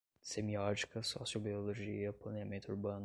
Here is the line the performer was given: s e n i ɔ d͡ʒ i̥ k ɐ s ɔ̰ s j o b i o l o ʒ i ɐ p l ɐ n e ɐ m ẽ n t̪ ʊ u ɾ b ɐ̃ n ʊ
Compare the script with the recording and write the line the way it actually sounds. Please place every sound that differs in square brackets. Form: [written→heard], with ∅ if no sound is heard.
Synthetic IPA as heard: s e [n→m] i ɔ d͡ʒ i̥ k ɐ s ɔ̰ s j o b i o l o ʒ i ɐ p l ɐ n e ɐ m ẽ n t̪ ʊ u ɾ b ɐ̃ n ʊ